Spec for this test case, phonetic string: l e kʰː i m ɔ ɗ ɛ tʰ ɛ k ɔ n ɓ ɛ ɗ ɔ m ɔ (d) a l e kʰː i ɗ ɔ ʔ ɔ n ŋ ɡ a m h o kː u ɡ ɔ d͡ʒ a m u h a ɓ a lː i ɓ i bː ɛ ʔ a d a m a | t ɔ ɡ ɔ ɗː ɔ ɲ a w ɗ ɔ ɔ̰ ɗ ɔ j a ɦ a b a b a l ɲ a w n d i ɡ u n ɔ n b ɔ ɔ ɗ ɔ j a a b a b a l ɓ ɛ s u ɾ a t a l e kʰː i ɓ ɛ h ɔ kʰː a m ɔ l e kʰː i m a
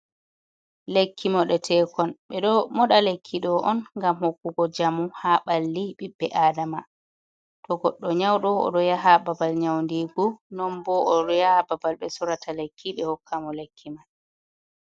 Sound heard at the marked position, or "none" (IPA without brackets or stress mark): ɗ